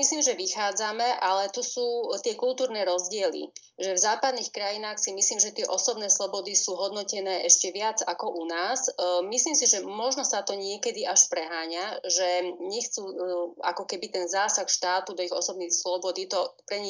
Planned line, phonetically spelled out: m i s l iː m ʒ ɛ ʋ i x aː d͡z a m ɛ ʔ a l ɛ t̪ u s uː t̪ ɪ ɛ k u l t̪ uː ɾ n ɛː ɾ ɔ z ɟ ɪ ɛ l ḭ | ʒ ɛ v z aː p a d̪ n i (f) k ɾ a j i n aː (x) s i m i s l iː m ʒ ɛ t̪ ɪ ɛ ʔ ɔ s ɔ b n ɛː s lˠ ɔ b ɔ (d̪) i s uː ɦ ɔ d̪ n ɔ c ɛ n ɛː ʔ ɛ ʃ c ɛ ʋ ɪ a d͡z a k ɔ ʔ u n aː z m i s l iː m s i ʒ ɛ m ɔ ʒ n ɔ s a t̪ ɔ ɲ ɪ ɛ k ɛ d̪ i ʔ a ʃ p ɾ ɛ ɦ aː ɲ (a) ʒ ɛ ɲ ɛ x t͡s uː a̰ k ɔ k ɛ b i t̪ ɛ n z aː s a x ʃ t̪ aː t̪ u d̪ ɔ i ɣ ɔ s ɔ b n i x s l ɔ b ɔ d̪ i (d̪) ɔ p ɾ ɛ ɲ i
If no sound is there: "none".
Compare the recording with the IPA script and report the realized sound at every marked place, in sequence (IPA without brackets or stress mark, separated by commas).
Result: x, x, d̪, a, t̪